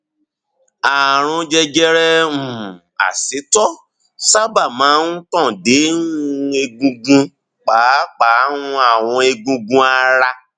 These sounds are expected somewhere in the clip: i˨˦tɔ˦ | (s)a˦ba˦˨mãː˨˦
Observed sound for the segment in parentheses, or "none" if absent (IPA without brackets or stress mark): s